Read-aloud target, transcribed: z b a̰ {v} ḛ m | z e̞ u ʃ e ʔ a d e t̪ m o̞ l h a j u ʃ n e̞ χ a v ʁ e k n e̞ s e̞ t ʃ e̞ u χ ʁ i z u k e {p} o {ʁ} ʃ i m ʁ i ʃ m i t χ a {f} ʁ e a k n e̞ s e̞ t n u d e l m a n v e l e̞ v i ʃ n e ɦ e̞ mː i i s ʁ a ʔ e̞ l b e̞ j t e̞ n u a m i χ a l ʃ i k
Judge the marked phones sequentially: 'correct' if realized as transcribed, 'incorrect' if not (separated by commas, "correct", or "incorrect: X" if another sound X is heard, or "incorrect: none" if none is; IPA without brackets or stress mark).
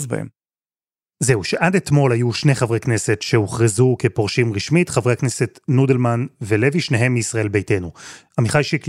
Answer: incorrect: none, correct, correct, incorrect: v